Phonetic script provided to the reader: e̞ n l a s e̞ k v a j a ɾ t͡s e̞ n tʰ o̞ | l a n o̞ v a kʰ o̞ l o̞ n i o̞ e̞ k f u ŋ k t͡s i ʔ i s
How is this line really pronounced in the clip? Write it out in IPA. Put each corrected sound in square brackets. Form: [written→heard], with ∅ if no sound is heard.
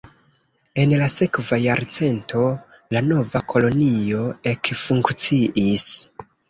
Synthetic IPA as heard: e̞ n l a s e̞ k v a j a ɾ t͡s e̞ n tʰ o̞ | l a n o̞ v a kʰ o̞ l o̞ n i o̞ e̞ k f u ŋ k t͡s i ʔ i s